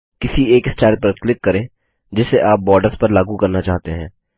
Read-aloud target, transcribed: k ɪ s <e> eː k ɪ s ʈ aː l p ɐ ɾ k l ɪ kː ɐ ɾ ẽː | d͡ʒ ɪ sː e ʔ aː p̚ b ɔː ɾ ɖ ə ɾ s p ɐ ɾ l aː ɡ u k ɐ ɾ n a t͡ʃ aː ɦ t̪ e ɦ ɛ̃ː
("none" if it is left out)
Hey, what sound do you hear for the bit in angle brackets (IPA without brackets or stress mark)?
i